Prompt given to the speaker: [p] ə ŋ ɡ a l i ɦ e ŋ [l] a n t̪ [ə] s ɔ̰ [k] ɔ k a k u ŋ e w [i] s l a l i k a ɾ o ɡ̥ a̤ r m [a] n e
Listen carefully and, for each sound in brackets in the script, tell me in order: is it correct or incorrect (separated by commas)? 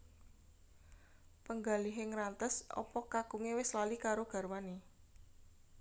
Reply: correct, incorrect, correct, incorrect, incorrect, correct